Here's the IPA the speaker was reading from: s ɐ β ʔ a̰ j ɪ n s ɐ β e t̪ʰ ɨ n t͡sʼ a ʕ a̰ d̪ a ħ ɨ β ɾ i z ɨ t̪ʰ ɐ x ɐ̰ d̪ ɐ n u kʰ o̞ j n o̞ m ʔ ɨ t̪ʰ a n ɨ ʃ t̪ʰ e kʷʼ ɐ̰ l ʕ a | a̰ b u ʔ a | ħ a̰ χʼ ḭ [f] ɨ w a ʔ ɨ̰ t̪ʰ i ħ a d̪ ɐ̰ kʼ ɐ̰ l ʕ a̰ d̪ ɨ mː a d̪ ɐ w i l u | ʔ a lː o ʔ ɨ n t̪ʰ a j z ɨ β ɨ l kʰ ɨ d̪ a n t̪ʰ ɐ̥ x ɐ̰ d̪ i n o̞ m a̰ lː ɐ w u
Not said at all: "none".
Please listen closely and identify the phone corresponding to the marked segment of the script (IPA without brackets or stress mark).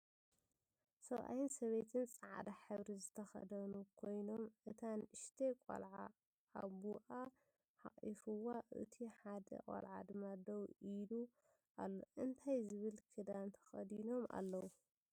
f